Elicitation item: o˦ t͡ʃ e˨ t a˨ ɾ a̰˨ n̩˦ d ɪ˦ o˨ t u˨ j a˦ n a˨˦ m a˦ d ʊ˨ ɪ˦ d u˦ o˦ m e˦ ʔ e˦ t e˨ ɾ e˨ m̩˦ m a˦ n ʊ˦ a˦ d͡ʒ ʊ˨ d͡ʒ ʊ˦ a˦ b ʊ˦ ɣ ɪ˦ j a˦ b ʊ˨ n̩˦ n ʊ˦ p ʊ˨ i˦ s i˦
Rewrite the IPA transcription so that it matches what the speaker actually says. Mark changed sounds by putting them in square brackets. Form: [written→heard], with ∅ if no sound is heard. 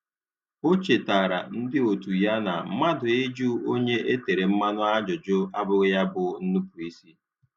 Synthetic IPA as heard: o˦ t͡ʃ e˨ t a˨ ɾ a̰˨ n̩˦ d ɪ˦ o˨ t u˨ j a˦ n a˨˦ m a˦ d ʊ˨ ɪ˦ [d→d͡ʒ] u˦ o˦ [m→ɲ] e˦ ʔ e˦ t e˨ ɾ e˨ m̩˦ m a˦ n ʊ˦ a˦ d͡ʒ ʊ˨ d͡ʒ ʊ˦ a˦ b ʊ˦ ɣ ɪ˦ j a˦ b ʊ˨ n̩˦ n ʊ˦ p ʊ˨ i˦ s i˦